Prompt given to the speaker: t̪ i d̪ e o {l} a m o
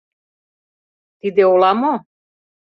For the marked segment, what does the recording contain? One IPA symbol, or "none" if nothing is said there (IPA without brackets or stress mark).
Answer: l